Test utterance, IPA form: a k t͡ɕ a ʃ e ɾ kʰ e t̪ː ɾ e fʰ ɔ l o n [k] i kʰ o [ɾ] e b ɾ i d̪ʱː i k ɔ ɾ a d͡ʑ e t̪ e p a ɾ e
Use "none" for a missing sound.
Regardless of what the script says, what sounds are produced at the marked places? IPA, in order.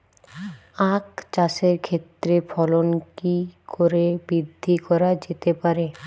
k, ɾ

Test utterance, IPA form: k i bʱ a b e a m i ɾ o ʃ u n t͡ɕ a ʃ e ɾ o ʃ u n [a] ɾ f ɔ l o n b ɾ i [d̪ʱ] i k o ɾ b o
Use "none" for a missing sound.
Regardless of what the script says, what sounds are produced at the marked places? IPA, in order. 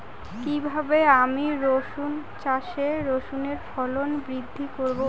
e, d̪ʱː

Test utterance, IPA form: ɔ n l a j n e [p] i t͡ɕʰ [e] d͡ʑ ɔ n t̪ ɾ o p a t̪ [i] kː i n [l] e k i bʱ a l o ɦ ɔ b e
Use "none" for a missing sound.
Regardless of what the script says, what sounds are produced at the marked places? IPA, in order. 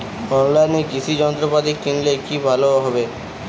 k, i, i, l

